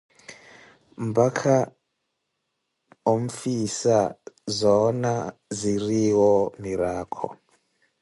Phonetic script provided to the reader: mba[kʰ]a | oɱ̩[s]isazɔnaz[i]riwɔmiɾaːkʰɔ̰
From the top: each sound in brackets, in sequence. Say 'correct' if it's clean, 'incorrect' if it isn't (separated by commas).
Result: correct, incorrect, correct